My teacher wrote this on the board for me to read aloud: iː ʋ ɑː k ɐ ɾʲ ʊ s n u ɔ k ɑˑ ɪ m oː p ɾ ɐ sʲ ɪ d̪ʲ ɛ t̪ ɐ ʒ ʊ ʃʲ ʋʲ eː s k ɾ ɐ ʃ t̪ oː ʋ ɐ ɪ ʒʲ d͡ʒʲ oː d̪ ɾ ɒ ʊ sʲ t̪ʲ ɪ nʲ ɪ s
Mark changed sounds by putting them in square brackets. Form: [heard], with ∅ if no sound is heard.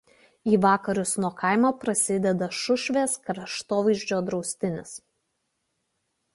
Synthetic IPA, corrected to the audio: iː ʋ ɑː k ɐ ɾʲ ʊ s n u ɔ k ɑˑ ɪ m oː p ɾ ɐ sʲ ɪ d̪ʲ ɛ [d̪] ɐ [ʃ] ʊ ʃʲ ʋʲ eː s k ɾ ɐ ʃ t̪ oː ʋ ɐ ɪ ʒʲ d͡ʒʲ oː d̪ ɾ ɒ ʊ sʲ t̪ʲ ɪ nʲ ɪ s